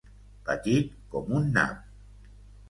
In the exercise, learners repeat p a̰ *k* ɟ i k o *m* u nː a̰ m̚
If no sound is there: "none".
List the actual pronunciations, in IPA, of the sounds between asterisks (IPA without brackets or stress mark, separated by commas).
none, m